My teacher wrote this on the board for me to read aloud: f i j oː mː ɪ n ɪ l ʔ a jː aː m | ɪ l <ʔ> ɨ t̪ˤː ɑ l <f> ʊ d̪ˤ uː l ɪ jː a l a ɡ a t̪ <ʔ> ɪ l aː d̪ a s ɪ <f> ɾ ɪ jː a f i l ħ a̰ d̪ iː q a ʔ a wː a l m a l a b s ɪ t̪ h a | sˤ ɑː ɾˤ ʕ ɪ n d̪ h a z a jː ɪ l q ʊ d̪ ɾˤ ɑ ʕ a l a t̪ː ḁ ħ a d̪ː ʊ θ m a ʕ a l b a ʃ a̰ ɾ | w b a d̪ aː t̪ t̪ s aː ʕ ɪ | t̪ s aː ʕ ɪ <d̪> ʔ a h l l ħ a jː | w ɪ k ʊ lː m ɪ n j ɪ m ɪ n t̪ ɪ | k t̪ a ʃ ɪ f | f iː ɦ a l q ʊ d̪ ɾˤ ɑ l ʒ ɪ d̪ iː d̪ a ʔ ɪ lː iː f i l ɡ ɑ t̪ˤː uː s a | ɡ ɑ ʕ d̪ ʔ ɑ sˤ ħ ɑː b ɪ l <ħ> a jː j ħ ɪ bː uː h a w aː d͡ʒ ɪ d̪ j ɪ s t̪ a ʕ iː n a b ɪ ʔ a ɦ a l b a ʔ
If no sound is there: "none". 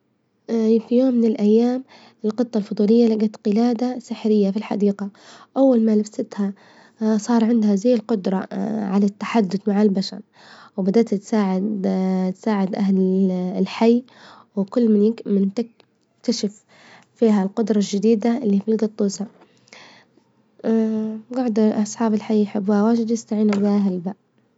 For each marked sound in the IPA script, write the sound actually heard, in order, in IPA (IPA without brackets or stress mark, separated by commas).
q, f, q, ħ, d̪, ħ